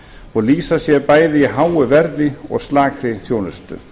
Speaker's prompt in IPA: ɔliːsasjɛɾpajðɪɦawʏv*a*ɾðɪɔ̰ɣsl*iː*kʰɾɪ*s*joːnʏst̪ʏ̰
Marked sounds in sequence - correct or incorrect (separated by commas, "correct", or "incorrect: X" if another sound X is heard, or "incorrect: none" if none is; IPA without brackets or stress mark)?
incorrect: ɛ, incorrect: aː, incorrect: θ